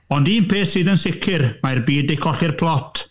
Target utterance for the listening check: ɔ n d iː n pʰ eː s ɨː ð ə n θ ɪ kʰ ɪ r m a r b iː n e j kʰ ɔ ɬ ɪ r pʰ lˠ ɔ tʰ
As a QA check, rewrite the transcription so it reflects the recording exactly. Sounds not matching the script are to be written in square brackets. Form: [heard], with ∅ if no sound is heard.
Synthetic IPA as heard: ɔ n d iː n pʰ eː s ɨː ð ə n [s] ɪ kʰ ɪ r m a r b iː [d] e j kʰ ɔ ɬ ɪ r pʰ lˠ ɔ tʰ